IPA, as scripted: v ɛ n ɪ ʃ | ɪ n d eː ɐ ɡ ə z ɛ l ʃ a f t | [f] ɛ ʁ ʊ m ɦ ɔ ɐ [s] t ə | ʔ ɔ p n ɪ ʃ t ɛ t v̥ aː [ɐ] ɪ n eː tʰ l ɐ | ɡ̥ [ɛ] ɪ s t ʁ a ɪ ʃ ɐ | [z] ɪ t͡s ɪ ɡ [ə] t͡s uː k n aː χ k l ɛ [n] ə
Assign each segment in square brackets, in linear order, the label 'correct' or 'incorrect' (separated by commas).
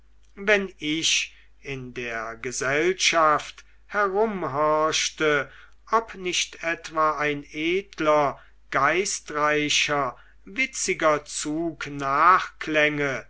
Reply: incorrect, incorrect, incorrect, incorrect, incorrect, incorrect, incorrect